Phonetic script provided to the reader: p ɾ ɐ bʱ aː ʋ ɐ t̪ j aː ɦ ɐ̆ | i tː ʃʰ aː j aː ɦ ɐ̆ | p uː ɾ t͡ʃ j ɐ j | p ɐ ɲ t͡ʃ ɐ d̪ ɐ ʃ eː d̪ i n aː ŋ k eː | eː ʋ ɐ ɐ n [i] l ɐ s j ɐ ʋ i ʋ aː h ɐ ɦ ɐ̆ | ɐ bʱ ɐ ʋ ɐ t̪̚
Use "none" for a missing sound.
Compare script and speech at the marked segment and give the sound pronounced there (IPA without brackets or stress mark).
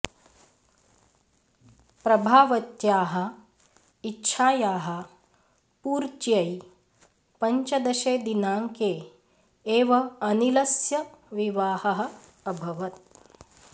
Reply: i